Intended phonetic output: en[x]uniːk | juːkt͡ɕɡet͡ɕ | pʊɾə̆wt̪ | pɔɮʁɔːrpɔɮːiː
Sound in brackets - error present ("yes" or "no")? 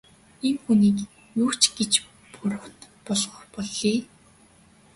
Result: no